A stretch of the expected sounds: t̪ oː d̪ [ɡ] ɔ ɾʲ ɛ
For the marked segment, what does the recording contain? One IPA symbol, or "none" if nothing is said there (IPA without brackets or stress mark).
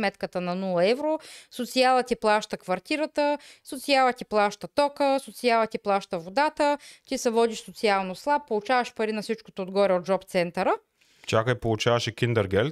ɡ